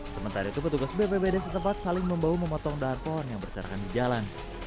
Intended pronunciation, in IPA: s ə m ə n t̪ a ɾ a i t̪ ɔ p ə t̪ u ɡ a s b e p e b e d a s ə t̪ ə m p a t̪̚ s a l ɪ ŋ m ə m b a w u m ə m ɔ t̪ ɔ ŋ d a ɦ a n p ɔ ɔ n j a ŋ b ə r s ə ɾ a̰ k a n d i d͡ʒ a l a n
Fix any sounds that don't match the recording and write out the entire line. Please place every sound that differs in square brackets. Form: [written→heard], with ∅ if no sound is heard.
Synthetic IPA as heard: s ə m ə n t̪ a ɾ a i t̪ [ɔ→u] p ə t̪ u ɡ a s b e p e b e d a s ə t̪ ə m p a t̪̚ s a l ɪ ŋ m ə m b a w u m ə m ɔ t̪ ɔ ŋ d a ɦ a n p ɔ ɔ n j a ŋ b ə r s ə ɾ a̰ k a n d i d͡ʒ a l a n